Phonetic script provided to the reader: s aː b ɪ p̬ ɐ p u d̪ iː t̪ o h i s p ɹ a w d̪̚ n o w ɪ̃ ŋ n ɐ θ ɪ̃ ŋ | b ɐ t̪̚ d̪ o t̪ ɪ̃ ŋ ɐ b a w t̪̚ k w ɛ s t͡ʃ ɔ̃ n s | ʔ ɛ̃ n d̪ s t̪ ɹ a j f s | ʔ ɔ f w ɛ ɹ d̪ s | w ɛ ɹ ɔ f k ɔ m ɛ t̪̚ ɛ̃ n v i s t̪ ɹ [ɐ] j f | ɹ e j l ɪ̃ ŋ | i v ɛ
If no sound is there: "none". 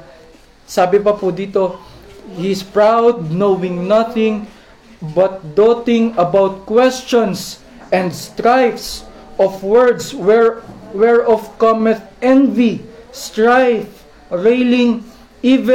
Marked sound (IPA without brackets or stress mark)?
a